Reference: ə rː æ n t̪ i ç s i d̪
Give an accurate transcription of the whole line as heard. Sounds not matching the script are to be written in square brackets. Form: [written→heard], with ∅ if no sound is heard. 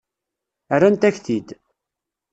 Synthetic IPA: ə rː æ n t̪ [i→æ] ç [s→θ] i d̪

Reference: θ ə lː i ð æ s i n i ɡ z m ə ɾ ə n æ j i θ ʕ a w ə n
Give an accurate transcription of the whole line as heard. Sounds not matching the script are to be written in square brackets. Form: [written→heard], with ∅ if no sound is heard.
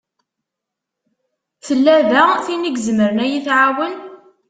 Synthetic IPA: θ ə lː [i→æ] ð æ [s→θ] i n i ɡ z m ə ɾ ə n æ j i θ ʕ a w ə n

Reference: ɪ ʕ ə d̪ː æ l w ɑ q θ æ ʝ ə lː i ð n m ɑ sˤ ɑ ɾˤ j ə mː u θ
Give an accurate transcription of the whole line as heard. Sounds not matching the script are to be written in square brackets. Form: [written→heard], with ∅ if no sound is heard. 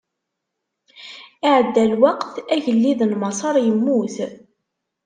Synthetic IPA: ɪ ʕ ə d̪ː æ l w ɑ q θ æ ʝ ə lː i ð n m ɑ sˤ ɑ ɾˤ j ə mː u θ

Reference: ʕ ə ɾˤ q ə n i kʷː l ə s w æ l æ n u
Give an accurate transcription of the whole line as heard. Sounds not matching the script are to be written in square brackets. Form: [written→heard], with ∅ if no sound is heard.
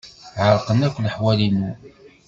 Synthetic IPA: ʕ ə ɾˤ q ə n [i→æ] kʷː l ə [s→ħ] w æ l [æ→i] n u

